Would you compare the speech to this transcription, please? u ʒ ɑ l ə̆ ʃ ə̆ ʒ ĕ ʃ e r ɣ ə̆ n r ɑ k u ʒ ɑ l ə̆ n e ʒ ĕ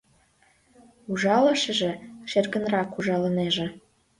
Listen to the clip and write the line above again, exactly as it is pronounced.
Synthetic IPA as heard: u ʒ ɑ l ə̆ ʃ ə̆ ʒ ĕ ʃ e r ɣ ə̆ n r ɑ k u ʒ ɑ l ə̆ n e ʒ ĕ